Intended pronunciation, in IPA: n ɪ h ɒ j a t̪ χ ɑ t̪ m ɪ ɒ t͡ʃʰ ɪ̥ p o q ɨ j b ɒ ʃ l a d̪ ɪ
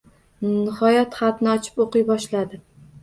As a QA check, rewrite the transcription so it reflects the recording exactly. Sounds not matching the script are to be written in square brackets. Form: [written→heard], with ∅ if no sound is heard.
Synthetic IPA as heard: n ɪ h ɒ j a t̪ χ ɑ t̪ [m→n] ɪ ɒ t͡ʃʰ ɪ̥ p o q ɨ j b ɒ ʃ l a d̪ ɪ